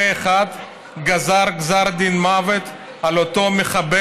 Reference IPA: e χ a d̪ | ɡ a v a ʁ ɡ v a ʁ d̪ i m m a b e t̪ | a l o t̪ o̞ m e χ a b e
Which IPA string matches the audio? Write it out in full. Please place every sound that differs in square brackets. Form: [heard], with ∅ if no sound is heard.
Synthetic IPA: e χ a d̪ | ɡ a [z] a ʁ ɡ [z] a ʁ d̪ i [n] m a [v] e t̪ | a l o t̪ o̞ m e χ a b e